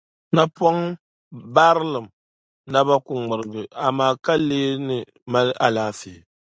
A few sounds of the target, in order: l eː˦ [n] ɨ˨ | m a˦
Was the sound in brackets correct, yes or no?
yes